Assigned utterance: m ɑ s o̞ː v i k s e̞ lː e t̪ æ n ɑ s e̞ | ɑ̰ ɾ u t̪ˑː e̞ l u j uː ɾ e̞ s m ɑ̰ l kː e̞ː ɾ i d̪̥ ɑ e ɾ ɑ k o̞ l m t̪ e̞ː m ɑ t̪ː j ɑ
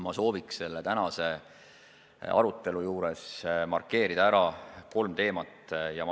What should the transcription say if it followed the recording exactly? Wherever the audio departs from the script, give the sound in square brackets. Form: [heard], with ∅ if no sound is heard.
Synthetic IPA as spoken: m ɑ s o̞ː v i k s e̞ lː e t̪ æ n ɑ s e̞ | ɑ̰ ɾ u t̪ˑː e̞ l u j uː ɾ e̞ s m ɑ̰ [r] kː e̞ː ɾ i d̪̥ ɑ [æ] ɾ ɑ k o̞ l m t̪ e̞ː m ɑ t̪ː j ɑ